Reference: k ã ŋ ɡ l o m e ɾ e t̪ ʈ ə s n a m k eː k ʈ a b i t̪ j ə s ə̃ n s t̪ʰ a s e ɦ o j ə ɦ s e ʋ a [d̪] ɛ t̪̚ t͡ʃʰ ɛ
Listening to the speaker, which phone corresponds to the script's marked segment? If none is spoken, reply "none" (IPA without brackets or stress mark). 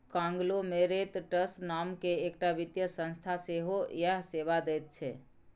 d̪